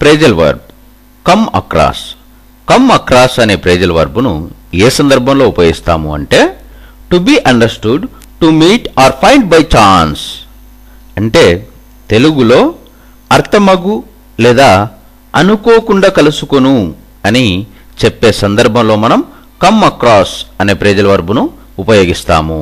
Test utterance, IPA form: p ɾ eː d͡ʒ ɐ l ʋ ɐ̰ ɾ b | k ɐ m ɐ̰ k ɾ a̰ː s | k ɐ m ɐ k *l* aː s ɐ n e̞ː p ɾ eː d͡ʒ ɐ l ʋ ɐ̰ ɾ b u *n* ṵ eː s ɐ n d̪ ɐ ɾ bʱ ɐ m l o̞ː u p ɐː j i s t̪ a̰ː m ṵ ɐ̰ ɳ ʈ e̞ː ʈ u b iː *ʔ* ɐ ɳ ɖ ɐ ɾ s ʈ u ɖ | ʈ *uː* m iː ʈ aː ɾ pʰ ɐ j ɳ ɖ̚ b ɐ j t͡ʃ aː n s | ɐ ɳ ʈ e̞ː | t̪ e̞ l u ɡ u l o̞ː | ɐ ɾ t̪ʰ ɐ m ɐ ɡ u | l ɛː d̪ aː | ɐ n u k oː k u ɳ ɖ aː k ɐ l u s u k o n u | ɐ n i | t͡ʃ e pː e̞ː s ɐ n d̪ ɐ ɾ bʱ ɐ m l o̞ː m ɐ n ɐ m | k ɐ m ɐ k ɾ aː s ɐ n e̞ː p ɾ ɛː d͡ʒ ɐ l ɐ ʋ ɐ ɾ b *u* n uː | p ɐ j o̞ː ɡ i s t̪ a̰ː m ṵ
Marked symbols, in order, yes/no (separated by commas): no, yes, yes, no, yes